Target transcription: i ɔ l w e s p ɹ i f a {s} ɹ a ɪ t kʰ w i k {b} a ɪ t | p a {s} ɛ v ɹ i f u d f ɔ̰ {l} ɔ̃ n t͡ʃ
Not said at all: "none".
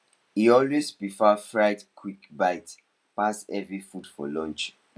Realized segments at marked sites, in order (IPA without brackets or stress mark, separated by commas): f, b, s, l